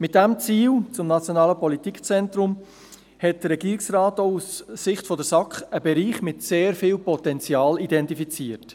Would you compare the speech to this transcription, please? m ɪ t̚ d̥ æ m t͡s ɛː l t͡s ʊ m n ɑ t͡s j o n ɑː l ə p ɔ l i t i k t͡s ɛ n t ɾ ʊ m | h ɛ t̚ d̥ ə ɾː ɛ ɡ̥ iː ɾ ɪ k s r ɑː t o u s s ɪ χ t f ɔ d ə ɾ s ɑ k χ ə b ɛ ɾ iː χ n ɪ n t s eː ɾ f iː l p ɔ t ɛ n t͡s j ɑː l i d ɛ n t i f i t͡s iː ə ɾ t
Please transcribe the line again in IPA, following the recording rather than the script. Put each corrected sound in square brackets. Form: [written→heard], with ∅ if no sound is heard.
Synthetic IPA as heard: m ɪ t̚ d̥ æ m t͡s [ɛː→iː] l t͡s ʊ m n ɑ t͡s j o n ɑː l ə p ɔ l i t i k t͡s ɛ n t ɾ ʊ m | h ɛ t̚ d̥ ə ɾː ɛ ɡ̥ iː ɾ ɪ k s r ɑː t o u s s ɪ χ t f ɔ d ə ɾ s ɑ k χ ə b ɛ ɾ iː χ [n→m] ɪ [n→∅] t s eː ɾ f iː l p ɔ t ɛ n t͡s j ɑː l i d ɛ n t i f i t͡s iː ə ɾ t